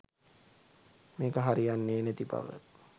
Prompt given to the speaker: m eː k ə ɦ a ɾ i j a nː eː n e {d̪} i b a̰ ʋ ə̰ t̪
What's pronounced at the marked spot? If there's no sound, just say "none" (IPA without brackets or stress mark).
t̪